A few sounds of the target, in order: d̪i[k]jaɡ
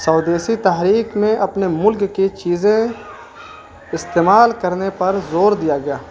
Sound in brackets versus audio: incorrect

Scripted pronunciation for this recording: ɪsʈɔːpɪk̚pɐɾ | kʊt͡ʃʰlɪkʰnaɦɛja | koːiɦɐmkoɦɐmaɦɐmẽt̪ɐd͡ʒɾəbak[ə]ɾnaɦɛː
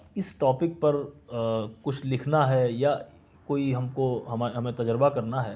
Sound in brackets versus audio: incorrect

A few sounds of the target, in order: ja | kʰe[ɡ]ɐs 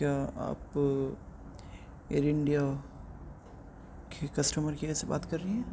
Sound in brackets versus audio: incorrect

